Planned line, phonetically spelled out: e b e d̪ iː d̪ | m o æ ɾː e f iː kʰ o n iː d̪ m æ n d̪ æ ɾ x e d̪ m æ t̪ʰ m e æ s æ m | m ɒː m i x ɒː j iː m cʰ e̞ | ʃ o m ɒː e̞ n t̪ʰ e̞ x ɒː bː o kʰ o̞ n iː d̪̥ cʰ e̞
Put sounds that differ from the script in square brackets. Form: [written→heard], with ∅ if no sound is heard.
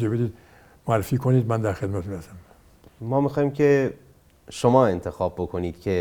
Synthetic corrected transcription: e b e d̪ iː d̪ | m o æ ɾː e f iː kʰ o n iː d̪ m æ n d̪ æ ɾ x e d̪ m æ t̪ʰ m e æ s æ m | m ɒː m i x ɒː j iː m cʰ e̞ | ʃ o m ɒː e̞ n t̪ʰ e̞ x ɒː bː o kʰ o̞ n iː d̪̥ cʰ e̞